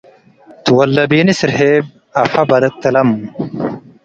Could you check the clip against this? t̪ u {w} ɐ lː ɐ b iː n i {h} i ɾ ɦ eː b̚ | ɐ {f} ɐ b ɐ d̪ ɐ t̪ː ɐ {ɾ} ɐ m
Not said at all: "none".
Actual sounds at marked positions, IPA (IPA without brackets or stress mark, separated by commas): w, s, f, l